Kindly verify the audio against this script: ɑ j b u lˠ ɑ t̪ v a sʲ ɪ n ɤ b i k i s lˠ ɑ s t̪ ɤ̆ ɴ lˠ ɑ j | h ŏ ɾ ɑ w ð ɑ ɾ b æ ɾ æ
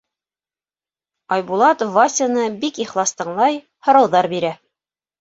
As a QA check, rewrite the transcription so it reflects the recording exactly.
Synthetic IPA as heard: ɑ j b u lˠ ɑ t̪ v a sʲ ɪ n ɤ b i k i χ lˠ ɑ s t̪ ɤ̆ ɴ lˠ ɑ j | h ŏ ɾ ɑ w ð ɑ ɾ b i ɾ æ